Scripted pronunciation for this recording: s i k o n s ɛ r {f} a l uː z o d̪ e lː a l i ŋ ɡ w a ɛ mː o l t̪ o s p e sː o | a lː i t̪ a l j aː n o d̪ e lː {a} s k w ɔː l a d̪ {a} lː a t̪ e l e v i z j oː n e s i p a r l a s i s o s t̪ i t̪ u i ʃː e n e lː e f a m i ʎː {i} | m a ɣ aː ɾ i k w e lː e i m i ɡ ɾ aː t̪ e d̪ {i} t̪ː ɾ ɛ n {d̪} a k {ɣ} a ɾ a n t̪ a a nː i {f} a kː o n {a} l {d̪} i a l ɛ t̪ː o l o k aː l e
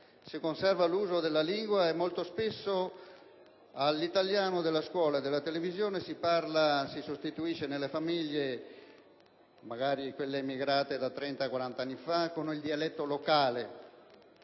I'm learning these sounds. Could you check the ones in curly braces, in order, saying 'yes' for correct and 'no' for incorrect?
no, yes, no, no, no, no, no, yes, no, yes

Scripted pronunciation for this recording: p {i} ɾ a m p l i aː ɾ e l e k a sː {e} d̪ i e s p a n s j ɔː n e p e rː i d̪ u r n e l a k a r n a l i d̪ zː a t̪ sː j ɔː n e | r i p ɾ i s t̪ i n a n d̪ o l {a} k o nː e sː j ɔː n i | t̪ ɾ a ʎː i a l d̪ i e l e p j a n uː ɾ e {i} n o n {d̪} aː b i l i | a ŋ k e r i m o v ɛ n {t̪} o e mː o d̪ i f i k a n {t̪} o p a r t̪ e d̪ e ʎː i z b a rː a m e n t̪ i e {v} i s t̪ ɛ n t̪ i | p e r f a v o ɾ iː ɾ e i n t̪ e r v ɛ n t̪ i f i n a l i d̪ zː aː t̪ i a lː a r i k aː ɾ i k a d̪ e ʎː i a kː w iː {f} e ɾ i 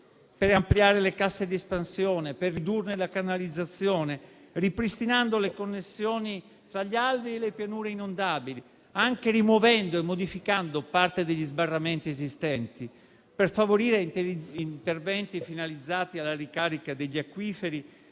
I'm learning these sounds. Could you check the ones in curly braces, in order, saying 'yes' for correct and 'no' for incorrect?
no, yes, no, yes, yes, no, no, no, yes

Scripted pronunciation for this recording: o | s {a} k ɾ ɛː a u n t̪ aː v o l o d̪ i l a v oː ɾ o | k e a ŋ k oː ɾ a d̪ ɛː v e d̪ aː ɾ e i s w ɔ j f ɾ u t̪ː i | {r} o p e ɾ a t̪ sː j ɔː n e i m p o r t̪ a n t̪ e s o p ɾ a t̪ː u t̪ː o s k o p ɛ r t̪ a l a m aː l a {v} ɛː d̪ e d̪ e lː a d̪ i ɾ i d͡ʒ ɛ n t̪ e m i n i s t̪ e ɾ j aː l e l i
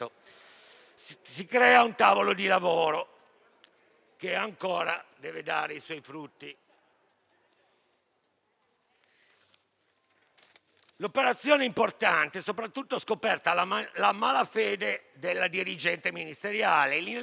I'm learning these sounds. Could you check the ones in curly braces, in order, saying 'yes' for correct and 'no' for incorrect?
no, no, no

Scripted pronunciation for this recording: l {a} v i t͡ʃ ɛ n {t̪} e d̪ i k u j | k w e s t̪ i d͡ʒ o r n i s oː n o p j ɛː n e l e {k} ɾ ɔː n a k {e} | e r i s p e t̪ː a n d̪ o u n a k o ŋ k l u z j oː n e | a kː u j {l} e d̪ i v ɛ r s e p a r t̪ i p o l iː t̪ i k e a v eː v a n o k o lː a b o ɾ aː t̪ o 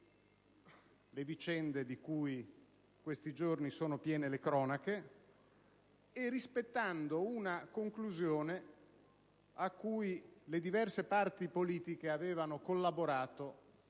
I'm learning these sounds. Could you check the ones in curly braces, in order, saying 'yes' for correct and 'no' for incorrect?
no, no, yes, yes, yes

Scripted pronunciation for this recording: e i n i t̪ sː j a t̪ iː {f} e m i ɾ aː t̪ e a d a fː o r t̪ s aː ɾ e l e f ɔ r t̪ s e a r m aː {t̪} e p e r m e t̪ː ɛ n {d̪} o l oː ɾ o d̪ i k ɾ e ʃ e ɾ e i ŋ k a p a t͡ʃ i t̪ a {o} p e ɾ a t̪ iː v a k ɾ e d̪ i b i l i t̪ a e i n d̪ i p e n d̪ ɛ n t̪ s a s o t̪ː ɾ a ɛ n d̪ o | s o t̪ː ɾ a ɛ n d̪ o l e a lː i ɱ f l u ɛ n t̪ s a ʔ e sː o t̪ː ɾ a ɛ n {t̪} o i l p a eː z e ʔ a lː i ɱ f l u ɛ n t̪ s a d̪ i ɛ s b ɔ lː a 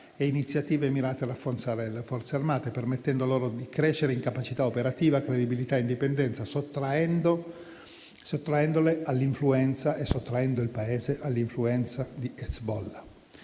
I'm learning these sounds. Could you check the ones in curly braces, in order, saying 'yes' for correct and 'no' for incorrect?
no, yes, yes, yes, no

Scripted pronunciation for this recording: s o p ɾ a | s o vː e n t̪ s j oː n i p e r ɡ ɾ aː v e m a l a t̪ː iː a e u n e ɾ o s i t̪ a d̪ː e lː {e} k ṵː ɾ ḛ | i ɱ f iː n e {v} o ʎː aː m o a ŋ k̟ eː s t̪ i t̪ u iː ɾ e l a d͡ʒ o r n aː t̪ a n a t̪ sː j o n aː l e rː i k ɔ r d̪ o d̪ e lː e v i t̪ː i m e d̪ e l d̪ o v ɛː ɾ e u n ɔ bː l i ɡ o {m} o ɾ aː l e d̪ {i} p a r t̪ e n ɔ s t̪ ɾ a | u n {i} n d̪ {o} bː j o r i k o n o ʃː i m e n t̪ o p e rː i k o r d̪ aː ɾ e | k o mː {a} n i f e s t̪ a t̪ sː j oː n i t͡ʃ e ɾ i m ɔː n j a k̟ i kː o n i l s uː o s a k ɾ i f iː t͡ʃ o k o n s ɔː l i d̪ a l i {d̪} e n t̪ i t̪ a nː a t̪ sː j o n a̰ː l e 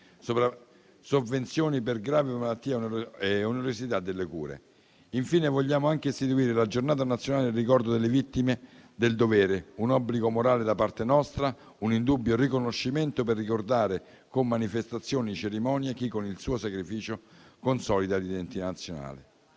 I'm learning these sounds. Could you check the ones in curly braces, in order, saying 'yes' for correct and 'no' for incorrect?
yes, yes, yes, no, yes, no, yes, yes

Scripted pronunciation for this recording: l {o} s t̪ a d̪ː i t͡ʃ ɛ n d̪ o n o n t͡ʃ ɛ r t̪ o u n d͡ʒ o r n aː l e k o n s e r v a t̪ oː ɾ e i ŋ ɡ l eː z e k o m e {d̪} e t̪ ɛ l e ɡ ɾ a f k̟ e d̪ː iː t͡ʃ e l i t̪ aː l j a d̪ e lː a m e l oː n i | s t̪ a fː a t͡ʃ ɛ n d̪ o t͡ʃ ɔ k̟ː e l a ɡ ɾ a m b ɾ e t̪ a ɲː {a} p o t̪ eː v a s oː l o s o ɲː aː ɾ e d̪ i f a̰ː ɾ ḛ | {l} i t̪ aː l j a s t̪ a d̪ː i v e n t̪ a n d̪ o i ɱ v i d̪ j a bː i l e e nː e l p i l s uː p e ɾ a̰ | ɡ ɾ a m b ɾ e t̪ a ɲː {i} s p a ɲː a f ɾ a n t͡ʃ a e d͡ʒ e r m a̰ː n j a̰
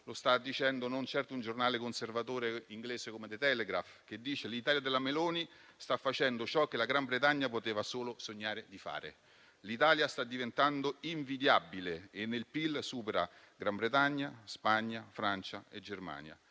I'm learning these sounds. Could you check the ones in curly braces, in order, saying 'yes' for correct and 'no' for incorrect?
yes, yes, yes, yes, no

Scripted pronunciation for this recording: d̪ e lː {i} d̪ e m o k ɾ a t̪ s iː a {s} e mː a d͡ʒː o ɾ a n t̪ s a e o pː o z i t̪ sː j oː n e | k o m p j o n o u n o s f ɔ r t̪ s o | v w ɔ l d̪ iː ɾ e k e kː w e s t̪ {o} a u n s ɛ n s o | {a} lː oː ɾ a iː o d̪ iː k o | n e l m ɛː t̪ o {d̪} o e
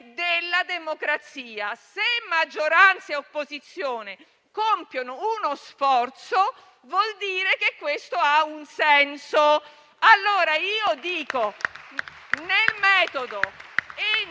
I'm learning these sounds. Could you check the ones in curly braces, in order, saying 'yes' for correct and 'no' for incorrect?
no, yes, yes, yes, yes

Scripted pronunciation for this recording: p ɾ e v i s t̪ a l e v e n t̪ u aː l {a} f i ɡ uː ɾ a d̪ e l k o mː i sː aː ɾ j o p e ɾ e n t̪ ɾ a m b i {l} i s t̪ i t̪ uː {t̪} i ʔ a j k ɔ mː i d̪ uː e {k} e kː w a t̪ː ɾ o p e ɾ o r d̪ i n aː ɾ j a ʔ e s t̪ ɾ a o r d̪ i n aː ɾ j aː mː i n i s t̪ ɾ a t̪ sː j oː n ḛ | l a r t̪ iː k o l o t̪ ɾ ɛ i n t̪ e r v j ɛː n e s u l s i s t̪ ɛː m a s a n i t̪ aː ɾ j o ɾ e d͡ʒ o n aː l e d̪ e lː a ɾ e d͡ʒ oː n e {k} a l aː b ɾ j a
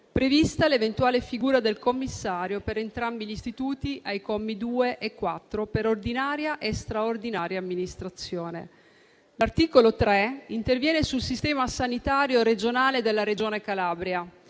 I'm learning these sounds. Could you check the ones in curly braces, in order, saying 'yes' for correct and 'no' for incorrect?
no, no, yes, no, yes

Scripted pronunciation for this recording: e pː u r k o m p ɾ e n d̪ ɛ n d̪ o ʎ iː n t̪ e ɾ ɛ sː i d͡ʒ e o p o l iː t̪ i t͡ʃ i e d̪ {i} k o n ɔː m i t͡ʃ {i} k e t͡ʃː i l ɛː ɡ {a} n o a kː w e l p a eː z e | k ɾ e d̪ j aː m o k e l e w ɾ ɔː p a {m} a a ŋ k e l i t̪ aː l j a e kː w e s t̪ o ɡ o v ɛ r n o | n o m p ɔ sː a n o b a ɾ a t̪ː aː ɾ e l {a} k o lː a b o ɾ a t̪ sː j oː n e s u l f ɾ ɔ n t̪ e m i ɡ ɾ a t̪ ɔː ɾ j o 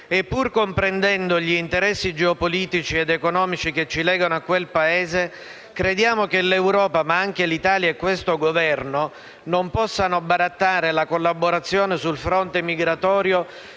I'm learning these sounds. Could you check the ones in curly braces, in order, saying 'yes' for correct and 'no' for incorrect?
no, yes, yes, yes, yes

